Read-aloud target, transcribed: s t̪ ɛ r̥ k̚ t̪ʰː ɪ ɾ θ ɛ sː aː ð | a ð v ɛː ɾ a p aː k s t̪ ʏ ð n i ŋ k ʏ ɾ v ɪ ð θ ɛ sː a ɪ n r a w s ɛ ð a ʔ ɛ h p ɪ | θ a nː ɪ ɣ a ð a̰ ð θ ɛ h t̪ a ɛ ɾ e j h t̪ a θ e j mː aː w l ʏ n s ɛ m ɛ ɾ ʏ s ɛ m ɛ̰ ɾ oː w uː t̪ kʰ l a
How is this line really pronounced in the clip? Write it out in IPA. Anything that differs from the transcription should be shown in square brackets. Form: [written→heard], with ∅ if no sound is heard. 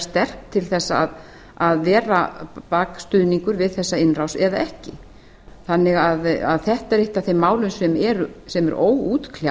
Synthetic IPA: s t̪ ɛ r̥ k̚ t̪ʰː ɪ [ɾ→l] θ ɛ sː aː ð | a ð v ɛː ɾ a p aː k s t̪ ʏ ð n i ŋ k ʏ ɾ v ɪ ð θ ɛ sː a ɪ n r a w s ɛ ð a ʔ ɛ h [p→c] ɪ | θ a nː ɪ ɣ a ð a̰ ð θ ɛ h t̪ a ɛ ɾ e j h t̪ a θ e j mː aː w l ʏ n s ɛ m ɛ ɾ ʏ s ɛ m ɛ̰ ɾ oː w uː t̪ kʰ l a